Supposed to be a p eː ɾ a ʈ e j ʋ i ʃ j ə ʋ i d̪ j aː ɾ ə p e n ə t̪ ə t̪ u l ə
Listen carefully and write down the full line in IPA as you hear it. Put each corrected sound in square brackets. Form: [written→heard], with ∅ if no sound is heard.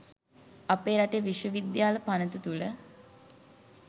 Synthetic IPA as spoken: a p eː ɾ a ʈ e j ʋ i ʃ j ə ʋ i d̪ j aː [ɾ→l] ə p [e→a] n ə t̪ ə t̪ u l ə